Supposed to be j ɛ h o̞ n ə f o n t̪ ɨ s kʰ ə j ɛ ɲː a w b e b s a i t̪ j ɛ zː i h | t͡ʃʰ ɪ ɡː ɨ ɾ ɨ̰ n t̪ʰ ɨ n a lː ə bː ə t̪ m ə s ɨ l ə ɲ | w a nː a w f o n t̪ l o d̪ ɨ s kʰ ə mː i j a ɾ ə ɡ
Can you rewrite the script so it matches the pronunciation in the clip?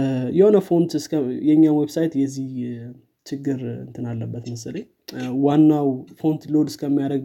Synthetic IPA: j ɛ h o̞ n ə f o n t̪ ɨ s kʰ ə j ɛ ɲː a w w e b s a j t̪ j ɛ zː i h | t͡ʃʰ ɪ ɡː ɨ ɾ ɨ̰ n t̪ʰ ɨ n a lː ə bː ə t̪ m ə s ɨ l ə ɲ | w a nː a w f o n t̪ l o d̪ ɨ s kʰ ə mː i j a ɾ ə ɡ